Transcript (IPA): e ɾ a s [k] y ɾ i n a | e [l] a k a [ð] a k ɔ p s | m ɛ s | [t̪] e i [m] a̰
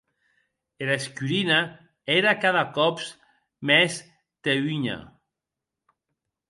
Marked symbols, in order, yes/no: yes, no, yes, yes, no

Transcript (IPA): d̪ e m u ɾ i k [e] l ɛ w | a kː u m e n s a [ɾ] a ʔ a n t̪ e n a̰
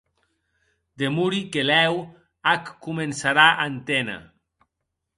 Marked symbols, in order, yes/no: yes, yes

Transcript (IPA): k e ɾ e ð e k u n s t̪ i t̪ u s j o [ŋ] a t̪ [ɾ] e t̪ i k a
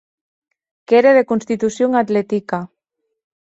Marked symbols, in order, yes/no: yes, no

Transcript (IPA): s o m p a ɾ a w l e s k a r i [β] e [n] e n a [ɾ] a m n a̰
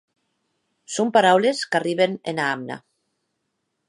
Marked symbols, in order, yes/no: yes, yes, no

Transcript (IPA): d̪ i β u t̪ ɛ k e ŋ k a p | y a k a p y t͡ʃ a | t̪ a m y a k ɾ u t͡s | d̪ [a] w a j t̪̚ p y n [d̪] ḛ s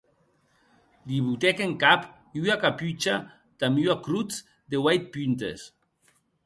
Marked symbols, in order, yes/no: no, no

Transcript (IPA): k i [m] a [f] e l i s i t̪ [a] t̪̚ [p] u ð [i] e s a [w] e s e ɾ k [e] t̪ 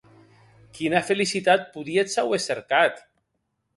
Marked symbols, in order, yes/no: no, yes, yes, yes, yes, yes, no

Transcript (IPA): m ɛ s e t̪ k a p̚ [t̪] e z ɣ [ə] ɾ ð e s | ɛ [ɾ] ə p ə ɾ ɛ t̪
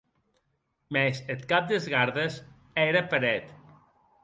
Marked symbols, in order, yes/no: no, no, yes

